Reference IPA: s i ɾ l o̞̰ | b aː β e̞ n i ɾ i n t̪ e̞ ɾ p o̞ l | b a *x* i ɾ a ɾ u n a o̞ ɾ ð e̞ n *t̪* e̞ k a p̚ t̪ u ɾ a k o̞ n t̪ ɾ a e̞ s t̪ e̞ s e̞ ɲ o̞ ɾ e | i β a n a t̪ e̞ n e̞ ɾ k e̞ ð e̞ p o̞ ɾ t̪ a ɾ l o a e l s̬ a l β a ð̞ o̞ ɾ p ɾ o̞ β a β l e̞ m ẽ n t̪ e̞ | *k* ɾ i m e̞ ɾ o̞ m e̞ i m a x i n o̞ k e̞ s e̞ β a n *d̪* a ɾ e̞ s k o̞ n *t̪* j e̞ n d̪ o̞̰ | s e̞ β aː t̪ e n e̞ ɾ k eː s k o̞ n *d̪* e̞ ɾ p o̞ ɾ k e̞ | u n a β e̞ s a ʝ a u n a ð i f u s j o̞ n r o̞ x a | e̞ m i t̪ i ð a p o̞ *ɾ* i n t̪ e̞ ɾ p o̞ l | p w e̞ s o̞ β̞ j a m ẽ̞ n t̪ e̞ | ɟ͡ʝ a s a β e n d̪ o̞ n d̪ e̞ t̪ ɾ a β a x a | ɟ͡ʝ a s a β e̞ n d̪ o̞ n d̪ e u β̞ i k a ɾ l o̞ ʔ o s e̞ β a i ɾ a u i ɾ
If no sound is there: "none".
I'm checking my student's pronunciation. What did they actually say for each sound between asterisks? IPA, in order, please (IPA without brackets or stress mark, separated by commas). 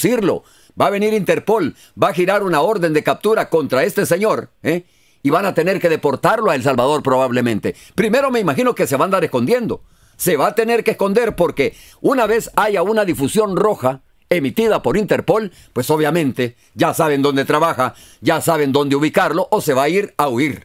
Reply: x, d̪, p, d̪, d̪, d̪, ɾ